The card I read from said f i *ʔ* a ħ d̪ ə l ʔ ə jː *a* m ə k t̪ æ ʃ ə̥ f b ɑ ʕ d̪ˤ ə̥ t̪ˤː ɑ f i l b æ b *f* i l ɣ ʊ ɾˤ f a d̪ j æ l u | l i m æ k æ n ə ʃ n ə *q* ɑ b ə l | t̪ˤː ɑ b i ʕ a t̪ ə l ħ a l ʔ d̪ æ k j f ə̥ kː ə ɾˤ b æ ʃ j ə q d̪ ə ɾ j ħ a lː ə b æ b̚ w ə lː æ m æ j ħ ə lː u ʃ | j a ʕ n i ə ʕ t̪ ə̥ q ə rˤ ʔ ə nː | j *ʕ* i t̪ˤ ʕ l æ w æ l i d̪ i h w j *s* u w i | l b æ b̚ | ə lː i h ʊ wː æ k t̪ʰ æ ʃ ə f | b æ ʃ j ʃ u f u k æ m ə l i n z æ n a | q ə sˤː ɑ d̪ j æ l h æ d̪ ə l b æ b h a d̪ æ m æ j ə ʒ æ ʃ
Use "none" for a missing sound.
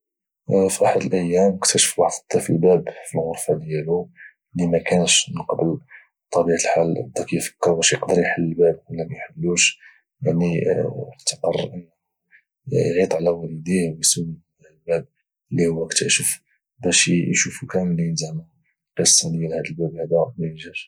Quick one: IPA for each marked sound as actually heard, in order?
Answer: ʔ, æ, f, q, ʕ, s

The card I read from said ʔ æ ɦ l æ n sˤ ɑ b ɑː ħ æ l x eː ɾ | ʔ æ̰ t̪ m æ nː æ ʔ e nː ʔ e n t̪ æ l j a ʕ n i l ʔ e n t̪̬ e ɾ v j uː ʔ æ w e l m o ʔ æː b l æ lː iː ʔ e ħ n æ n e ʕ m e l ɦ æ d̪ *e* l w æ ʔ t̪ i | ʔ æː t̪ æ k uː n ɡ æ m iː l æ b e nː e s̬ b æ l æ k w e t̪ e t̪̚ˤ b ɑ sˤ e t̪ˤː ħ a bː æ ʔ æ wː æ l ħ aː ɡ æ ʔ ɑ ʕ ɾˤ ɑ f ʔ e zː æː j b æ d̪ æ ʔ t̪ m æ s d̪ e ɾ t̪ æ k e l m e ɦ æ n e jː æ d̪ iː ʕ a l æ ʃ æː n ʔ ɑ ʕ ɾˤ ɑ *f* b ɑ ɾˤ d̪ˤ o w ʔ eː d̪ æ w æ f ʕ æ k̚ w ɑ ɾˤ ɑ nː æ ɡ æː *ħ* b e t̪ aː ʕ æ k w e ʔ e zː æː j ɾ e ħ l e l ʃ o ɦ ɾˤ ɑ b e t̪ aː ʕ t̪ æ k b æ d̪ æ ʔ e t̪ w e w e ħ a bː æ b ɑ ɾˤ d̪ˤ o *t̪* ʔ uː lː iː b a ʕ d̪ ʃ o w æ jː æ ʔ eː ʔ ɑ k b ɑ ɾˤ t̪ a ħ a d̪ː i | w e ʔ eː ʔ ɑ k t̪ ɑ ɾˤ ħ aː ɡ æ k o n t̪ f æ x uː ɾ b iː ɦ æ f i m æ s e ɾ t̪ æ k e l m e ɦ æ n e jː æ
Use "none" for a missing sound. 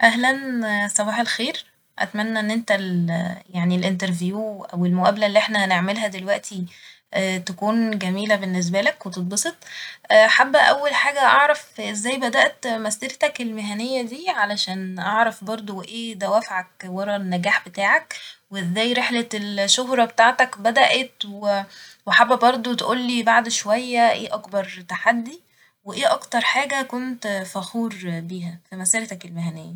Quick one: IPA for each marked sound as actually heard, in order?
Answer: e, f, ħ, t̪

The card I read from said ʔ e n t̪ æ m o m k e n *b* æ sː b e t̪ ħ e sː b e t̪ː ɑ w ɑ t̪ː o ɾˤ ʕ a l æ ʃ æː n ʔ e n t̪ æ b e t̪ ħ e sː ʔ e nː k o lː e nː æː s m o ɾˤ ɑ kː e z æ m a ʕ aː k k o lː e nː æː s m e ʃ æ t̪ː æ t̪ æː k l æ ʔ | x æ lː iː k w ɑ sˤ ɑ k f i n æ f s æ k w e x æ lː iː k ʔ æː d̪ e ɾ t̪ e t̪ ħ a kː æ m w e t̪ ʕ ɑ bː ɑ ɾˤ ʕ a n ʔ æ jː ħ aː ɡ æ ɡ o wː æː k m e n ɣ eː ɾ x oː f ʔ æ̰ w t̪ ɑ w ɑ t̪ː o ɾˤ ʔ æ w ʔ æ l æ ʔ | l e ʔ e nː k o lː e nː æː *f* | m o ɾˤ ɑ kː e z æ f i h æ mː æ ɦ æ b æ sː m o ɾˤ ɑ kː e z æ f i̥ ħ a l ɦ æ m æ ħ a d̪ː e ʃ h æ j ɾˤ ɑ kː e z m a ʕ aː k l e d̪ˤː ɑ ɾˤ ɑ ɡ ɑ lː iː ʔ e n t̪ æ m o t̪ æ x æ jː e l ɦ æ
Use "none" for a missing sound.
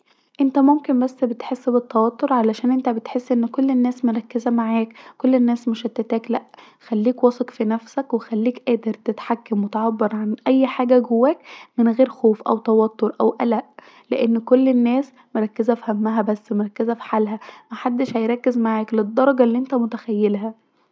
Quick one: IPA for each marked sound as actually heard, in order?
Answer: b, s

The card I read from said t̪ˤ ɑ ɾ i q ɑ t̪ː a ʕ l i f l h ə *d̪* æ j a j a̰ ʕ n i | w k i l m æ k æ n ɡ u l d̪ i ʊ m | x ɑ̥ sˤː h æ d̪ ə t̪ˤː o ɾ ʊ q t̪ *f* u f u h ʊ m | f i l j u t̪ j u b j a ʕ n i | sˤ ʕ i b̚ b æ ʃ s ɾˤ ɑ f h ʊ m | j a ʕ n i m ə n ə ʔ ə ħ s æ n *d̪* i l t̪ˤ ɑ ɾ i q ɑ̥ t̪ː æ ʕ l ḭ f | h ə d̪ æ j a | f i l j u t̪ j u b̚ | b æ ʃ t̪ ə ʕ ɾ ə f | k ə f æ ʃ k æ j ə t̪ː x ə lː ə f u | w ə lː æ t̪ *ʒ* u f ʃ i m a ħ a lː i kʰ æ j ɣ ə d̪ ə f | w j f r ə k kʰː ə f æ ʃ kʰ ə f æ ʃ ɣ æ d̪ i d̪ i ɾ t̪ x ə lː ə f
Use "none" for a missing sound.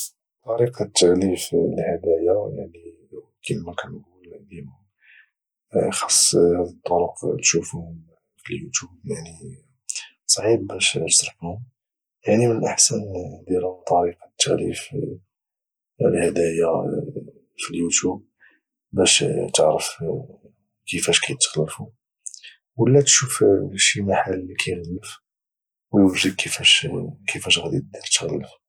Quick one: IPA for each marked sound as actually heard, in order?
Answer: d̪, ʃ, d̪, ʃ

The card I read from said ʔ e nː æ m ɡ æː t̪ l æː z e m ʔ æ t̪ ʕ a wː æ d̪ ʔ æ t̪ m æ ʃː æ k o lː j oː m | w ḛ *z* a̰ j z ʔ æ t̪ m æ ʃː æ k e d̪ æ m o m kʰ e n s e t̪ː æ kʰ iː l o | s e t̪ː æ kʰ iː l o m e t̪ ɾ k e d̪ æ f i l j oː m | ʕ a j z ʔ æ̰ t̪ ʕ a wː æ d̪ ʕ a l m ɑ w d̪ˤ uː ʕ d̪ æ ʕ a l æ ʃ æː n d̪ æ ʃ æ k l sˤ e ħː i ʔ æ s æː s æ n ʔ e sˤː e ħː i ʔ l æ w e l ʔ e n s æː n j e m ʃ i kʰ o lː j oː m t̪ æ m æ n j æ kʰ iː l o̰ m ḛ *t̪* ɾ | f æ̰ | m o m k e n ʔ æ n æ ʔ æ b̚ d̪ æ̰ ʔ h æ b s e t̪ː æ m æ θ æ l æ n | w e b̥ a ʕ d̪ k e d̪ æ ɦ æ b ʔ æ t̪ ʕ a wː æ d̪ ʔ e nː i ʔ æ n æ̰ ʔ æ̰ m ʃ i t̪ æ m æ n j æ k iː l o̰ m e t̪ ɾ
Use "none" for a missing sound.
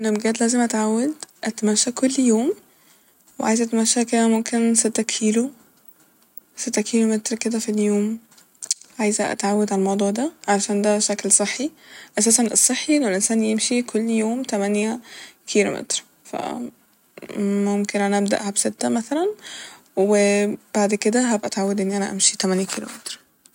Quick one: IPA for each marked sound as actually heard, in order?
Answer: ʕ, t̪

